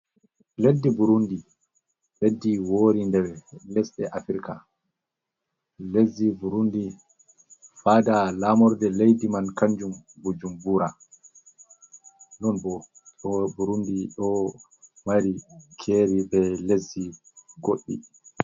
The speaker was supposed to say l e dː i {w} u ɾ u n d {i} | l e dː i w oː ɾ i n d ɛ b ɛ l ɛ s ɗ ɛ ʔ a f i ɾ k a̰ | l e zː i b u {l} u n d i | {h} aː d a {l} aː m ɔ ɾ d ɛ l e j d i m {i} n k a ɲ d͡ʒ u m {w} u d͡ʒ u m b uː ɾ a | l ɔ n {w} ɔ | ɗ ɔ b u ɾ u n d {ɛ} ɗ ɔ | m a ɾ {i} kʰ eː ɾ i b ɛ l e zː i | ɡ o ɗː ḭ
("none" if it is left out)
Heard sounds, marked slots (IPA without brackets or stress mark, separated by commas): b, i, ɾ, f, l, a, b, b, i, i